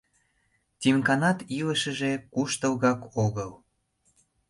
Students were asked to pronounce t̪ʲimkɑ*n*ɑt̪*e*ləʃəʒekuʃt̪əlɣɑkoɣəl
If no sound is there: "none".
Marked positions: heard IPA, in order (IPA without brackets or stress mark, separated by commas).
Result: n, i